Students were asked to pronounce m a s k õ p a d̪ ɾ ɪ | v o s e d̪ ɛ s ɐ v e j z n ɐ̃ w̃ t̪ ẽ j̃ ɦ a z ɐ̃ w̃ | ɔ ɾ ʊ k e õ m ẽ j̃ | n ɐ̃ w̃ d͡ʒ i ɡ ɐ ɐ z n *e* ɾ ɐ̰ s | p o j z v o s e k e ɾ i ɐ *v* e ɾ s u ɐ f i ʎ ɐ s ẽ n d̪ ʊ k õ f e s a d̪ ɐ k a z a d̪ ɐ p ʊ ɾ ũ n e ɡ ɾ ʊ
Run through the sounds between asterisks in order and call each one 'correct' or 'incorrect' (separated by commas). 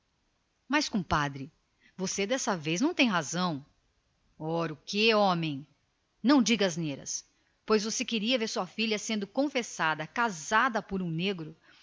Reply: correct, correct